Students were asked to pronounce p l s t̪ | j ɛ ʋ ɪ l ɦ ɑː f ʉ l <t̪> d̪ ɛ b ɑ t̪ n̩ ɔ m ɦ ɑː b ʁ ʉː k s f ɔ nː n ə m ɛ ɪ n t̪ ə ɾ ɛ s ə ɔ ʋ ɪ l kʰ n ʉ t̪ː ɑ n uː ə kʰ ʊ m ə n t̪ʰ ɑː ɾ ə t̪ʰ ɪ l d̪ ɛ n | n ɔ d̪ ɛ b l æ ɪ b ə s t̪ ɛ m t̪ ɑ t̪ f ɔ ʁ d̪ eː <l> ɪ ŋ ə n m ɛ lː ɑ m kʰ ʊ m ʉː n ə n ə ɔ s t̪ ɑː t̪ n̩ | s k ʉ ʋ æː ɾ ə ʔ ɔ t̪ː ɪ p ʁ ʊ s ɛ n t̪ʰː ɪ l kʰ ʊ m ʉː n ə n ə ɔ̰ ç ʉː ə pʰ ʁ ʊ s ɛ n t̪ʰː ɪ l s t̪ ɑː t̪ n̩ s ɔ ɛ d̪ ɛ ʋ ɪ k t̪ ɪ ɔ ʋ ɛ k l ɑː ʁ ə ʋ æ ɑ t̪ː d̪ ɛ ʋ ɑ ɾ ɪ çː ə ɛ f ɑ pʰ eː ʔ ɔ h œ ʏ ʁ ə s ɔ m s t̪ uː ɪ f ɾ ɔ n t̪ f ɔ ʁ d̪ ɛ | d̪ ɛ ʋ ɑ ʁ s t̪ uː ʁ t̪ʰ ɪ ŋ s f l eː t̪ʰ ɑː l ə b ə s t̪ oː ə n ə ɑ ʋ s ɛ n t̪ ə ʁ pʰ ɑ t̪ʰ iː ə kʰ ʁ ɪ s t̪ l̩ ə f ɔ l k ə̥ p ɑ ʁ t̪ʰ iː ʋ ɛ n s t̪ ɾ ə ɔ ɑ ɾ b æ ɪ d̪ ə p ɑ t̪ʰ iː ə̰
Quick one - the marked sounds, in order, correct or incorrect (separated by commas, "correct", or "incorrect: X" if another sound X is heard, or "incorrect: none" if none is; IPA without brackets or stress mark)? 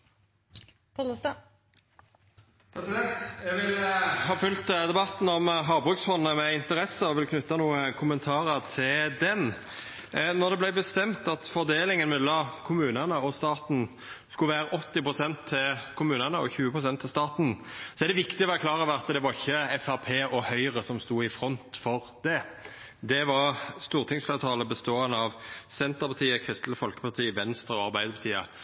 correct, correct